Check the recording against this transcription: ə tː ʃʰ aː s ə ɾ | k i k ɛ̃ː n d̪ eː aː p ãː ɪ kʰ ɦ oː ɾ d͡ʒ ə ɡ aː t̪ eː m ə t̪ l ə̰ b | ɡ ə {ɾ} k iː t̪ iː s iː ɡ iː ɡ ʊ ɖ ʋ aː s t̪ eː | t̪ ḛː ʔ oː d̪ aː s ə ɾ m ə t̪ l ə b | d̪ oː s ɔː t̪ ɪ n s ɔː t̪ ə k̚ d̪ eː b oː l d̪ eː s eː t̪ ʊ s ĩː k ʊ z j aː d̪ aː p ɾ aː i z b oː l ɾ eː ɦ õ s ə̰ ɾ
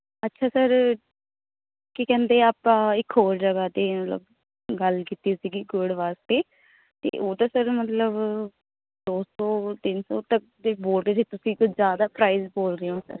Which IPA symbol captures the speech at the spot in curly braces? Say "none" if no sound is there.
l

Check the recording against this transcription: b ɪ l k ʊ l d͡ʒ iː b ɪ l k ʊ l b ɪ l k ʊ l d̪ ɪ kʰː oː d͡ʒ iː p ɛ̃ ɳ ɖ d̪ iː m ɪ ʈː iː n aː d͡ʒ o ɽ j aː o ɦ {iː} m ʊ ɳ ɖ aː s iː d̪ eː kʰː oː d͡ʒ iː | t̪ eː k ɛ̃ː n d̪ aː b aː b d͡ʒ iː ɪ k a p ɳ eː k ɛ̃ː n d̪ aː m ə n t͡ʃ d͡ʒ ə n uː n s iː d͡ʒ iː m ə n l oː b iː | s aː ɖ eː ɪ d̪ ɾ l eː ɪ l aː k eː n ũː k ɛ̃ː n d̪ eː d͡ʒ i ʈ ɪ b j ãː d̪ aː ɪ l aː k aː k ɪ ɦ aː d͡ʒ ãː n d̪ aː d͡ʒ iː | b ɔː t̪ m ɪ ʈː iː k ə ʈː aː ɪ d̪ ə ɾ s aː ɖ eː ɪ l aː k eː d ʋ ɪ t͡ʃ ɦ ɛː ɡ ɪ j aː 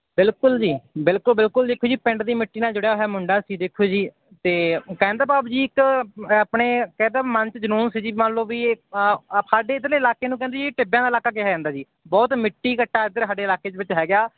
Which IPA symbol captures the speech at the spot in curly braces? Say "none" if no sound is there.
ɛː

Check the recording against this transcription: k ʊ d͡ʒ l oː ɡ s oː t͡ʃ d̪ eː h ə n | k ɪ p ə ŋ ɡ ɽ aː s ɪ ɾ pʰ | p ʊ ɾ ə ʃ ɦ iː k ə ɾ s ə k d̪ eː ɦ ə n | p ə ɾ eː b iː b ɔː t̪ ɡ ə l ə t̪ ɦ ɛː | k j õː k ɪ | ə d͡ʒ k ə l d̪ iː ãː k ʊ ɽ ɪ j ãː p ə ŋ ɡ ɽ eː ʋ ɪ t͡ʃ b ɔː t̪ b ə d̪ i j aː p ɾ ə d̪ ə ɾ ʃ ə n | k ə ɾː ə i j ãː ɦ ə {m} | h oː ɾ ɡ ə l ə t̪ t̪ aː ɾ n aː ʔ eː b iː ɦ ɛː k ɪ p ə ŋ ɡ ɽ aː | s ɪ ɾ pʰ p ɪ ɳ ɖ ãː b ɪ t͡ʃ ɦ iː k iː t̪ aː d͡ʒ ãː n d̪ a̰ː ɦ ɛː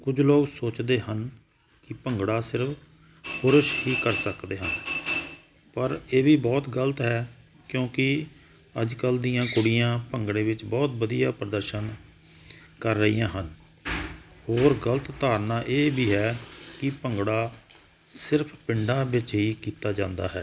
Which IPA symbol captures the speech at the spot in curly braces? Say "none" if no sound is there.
n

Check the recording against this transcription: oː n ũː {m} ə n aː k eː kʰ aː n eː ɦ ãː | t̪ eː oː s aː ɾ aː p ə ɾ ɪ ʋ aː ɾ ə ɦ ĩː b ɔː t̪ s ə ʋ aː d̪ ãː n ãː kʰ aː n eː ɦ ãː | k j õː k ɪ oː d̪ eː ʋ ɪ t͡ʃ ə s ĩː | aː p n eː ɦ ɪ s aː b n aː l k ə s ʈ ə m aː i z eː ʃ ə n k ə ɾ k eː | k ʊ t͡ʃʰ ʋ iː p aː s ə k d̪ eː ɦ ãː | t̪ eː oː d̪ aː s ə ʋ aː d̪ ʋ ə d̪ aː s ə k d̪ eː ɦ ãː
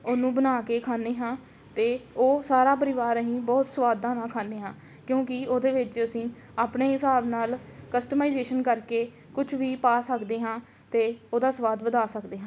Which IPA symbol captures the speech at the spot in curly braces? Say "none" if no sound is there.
b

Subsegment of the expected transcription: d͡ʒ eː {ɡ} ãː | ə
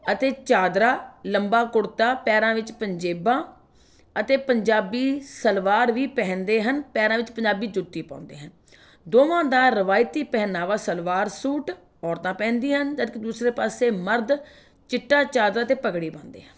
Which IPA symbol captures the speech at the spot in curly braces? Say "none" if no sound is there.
b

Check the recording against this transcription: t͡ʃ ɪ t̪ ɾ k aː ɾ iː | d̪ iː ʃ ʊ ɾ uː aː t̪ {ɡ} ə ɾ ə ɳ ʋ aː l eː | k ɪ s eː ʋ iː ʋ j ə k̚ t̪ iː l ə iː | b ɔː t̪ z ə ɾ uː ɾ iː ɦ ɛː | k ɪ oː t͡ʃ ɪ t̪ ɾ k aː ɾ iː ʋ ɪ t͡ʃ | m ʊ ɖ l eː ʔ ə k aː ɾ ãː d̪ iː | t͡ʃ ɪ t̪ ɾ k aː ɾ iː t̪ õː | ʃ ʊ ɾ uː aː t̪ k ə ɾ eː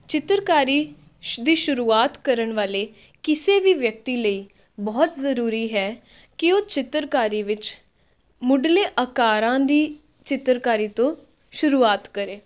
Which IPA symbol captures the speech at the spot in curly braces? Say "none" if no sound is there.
k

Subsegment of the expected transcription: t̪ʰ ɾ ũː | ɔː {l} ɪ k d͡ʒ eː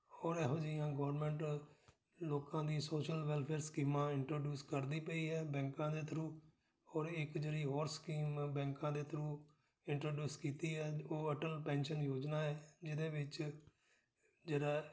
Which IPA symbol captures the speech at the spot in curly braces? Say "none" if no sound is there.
ɾ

